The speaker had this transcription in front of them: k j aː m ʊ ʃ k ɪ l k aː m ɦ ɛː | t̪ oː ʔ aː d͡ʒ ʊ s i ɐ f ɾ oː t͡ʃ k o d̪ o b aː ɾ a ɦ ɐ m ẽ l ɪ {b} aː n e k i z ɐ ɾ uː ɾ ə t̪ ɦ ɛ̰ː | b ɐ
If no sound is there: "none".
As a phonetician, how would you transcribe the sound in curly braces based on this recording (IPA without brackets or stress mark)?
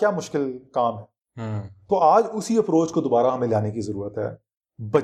none